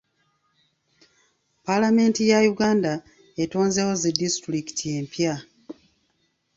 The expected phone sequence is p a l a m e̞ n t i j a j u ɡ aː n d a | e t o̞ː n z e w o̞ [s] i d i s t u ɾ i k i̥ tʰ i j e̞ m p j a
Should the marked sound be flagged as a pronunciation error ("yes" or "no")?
yes